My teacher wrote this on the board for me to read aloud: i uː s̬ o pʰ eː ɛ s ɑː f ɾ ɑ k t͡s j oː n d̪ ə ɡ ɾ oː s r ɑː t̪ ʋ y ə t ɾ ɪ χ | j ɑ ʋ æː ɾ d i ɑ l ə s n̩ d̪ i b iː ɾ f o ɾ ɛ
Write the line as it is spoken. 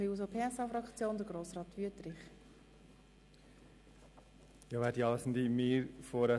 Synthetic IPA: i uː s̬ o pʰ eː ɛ s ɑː f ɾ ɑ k t͡s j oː n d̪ ə ɡ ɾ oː s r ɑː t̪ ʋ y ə t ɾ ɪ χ | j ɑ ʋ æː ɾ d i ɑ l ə s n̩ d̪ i m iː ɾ f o ɾ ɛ